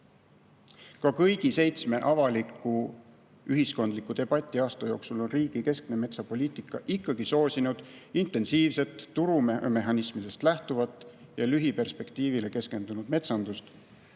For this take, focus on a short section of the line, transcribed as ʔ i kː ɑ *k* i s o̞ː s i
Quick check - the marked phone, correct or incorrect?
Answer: incorrect